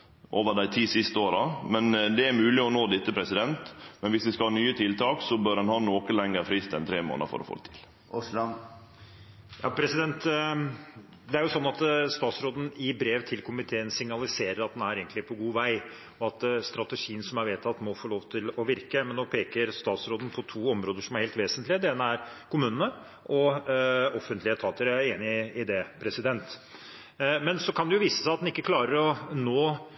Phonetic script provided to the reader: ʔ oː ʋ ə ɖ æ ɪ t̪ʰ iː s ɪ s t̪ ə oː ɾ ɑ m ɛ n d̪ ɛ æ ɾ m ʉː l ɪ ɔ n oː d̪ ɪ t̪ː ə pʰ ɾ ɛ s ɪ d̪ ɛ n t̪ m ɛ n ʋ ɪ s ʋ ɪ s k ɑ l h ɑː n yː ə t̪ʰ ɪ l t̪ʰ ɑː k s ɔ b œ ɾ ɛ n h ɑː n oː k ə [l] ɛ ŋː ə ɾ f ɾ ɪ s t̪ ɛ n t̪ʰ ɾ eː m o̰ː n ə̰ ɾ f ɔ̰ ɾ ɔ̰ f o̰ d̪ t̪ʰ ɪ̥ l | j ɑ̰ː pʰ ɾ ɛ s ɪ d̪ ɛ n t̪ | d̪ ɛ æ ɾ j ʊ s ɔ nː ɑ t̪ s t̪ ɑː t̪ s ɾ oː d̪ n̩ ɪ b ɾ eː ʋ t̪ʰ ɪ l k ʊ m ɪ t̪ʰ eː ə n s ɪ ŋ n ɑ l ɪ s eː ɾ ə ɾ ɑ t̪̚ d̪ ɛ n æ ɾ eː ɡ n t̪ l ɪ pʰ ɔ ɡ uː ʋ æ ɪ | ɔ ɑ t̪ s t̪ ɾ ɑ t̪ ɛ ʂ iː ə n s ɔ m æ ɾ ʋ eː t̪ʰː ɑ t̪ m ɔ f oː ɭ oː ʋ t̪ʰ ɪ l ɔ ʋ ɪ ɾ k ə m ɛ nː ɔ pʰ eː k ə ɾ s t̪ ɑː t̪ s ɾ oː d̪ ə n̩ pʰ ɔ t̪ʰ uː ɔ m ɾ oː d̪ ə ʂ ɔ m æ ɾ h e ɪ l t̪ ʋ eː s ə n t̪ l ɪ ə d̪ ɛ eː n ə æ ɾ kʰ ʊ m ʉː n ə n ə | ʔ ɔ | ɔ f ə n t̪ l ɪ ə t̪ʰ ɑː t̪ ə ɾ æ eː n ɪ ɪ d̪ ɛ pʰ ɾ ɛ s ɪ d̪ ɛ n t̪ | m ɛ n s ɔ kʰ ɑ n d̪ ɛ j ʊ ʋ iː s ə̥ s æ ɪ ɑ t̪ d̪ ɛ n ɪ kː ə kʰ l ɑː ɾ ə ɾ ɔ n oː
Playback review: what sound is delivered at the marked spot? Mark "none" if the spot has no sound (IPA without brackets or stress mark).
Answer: l